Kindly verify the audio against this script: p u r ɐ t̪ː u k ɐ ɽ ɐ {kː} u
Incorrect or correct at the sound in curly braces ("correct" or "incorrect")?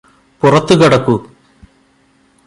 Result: correct